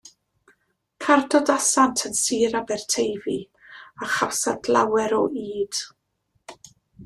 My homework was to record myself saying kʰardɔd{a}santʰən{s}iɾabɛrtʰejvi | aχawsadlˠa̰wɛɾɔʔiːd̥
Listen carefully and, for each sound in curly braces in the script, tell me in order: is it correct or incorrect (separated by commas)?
correct, correct